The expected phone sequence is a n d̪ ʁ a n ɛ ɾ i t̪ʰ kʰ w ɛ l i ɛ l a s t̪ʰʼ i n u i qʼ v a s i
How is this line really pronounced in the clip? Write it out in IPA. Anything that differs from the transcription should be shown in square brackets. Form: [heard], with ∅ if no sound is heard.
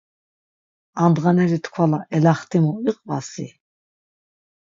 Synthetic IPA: a n d̪ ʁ a n ɛ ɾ i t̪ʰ kʰ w [a] l [a] ɛ l a [χ] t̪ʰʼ i [m] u i qʼ v a s i